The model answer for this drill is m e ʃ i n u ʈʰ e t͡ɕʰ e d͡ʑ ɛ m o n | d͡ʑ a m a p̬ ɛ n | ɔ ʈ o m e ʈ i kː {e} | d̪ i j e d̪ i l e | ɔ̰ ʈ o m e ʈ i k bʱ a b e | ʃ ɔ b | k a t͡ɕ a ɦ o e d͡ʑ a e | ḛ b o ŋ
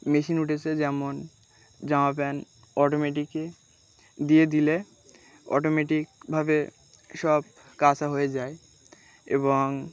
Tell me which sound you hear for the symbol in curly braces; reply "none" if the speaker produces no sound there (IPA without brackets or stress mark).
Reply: e